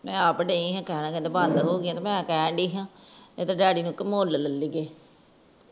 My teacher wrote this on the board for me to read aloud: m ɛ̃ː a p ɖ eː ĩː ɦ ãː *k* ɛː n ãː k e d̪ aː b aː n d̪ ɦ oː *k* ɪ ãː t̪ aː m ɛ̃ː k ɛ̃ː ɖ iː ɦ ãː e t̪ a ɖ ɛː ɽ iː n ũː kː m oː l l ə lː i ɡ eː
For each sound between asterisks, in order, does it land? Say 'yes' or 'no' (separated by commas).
yes, no